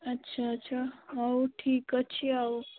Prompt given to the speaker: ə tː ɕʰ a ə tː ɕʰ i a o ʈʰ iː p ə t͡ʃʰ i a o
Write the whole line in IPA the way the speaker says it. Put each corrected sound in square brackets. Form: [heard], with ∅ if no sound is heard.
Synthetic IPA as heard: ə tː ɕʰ a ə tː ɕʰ [a] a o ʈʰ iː [k] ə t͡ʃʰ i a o

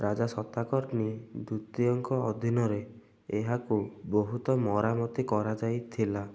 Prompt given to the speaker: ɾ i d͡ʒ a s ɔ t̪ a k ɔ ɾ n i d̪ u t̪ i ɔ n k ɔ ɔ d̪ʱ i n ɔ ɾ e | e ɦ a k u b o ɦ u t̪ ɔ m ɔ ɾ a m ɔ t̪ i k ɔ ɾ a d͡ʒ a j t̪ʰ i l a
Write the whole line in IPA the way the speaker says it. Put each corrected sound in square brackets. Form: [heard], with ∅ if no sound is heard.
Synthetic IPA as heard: ɾ [a] d͡ʒ a s ɔ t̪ a k ɔ ɾ n i d̪ u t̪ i ɔ [ŋ] k ɔ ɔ d̪ʱ i n ɔ ɾ e | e ɦ a k u b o ɦ u t̪ ɔ m ɔ ɾ a m ɔ t̪ i k ɔ ɾ a d͡ʒ a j t̪ʰ i l a

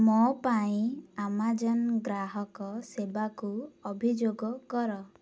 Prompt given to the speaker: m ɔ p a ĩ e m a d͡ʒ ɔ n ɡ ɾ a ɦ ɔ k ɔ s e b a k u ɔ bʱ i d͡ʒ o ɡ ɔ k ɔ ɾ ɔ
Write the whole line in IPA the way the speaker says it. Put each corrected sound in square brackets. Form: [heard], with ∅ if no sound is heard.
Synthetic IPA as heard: m ɔ p a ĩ [a] m a d͡ʒ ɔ n ɡ ɾ a ɦ ɔ k ɔ s e b a k u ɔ bʱ i d͡ʒ o ɡ ɔ k ɔ ɾ ɔ

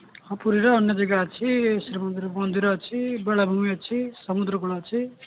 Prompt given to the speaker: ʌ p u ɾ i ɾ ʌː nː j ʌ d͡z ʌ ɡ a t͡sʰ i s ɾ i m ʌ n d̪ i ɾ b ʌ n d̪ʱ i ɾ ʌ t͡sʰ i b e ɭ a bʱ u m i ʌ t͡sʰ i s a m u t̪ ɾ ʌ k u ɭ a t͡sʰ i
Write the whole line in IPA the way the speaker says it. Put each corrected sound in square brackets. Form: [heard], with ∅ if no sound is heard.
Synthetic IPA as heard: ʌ p u ɾ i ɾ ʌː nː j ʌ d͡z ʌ ɡ a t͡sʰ i s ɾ i m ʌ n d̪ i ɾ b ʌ n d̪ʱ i ɾ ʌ t͡sʰ i b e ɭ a bʱ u m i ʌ t͡sʰ i s [ʌ] m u [d̪] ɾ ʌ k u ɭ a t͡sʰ i

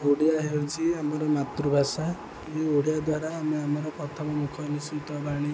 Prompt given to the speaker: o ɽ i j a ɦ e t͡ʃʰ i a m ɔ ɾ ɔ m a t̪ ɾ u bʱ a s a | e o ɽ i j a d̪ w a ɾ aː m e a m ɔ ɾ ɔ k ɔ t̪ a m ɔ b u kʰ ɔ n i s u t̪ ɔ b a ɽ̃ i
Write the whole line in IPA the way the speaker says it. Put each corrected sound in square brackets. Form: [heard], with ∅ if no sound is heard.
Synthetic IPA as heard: o ɽ i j a ɦ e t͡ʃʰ i a m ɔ ɾ ɔ m a t̪ ɾ u bʱ a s a | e o ɽ i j a d̪ w a ɾ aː m e a m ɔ ɾ ɔ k ɔ [t̪ʰ] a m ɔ [m] u kʰ ɔ n i s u t̪ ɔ b a ɽ̃ i

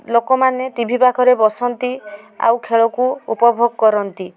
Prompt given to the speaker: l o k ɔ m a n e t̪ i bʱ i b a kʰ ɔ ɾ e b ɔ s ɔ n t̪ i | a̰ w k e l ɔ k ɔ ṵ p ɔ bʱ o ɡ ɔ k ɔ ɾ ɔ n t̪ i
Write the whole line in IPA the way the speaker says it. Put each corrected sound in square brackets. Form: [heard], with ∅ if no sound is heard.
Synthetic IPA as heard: l o k ɔ m a n e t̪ i bʱ i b a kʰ ɔ ɾ e b ɔ s ɔ n t̪ i | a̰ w [kʰ] e [ɭ] ɔ k [u] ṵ p ɔ bʱ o ɡ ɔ k ɔ ɾ ɔ n t̪ i

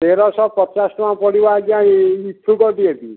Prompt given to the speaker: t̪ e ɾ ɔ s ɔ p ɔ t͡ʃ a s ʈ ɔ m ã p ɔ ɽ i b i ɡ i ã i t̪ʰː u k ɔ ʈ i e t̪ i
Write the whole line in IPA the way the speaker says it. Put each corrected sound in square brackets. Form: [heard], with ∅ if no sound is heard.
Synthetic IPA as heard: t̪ e ɾ ɔ s ɔ p ɔ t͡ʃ a s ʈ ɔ m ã p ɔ ɽ i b [a] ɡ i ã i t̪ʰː u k ɔ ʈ i e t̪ i

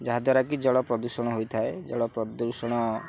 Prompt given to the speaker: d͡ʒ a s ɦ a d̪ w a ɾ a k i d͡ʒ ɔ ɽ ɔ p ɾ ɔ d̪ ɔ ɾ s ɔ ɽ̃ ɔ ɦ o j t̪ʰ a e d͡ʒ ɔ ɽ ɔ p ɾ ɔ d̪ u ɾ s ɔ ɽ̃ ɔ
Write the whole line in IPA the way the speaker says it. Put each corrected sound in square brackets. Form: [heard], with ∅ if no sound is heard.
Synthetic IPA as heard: d͡ʒ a [∅] ɦ a d̪ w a ɾ a k i d͡ʒ ɔ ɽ ɔ p ɾ ɔ d̪ [u] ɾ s ɔ ɽ̃ ɔ ɦ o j t̪ʰ a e d͡ʒ ɔ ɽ ɔ p ɾ ɔ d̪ u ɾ s ɔ ɽ̃ ɔ

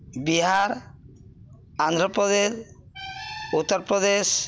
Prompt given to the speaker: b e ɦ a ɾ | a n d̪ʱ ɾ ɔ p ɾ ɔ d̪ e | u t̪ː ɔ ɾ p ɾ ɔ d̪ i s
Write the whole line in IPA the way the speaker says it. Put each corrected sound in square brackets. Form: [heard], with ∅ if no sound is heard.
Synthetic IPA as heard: b [i] ɦ a ɾ | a n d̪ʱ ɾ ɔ p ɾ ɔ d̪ e | u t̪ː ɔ ɾ p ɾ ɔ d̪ [e] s

